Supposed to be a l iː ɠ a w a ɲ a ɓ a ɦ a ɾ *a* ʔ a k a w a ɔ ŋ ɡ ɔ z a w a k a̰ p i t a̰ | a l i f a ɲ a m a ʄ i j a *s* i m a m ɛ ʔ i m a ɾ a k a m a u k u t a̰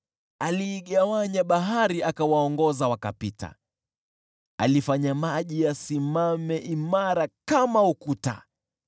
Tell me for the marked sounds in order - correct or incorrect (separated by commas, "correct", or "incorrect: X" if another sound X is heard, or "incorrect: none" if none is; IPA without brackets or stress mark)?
incorrect: i, correct